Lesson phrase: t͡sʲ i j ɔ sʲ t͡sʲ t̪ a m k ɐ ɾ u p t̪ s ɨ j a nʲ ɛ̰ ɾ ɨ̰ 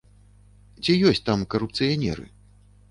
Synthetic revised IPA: t͡sʲ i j ɔ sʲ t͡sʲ t̪ a m k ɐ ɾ u p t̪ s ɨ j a nʲ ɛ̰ ɾ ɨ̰